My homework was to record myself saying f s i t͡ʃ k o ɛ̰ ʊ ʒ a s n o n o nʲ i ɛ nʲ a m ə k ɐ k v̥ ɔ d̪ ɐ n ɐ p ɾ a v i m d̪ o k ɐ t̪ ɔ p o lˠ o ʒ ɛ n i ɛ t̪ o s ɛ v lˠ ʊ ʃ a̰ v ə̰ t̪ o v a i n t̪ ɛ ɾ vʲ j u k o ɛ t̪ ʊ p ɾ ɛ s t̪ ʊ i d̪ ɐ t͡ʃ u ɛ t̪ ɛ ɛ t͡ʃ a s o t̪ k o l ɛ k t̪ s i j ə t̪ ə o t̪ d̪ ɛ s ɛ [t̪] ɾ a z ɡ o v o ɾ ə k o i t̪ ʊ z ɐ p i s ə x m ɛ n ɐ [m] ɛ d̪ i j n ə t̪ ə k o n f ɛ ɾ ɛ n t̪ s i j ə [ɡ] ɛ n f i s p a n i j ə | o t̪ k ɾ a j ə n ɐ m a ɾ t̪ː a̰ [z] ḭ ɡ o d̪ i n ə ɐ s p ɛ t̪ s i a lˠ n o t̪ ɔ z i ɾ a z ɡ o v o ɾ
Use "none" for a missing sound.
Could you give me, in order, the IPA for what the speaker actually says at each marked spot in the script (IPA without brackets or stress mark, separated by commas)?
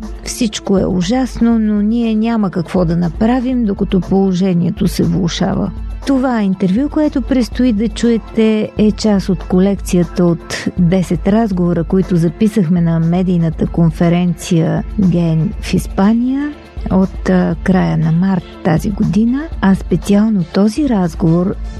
t̪, m, ɡ, z